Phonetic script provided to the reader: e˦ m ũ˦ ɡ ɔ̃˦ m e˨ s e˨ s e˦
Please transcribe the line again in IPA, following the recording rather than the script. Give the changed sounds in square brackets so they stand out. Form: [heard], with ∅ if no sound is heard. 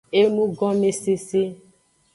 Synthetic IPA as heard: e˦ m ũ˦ ɡ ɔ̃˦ m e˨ s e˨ s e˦

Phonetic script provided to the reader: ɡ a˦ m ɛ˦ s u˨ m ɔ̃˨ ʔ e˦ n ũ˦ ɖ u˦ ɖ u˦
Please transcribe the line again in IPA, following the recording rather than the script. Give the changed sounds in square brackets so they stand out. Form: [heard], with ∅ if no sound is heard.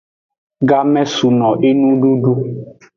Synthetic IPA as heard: ɡ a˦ m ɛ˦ s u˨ [n] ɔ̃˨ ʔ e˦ n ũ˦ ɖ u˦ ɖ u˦

